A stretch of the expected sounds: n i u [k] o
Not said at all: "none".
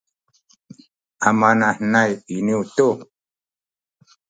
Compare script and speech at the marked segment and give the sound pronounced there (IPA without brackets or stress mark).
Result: t